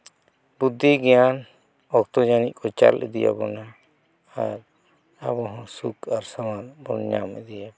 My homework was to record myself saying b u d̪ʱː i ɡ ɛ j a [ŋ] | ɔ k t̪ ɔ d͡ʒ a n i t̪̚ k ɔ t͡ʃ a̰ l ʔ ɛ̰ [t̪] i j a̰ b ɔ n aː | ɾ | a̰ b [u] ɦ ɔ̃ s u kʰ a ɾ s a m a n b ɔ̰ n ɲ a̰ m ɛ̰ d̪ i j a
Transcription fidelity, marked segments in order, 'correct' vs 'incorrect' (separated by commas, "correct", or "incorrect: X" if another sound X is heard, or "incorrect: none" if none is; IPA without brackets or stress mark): incorrect: n, incorrect: d̪, incorrect: ɔ